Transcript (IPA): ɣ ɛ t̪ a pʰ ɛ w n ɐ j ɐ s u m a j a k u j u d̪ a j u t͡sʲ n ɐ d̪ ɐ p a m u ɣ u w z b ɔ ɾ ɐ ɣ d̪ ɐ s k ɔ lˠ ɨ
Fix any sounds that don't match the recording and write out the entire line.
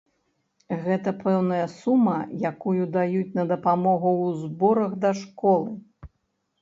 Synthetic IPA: ɣ ɛ t̪ ɐ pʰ ɛ w n ɐ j ɐ s u m ɐ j a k u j u d̪ a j u t͡sʲ n ɐ d̪ ɐ p a m ɔ ɣ u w z b ɔ ɾ ɐ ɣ d̪ ɐ ʂ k ɔ lˠ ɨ